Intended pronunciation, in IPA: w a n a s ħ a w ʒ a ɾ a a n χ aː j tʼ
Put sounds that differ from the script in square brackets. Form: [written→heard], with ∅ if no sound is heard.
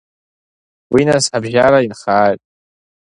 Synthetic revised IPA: w [a→i] n a s ħ a [w→b] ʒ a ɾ a [a→i] n χ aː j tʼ